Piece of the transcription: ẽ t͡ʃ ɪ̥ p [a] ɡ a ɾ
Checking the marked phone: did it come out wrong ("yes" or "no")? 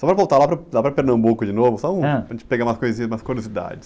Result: yes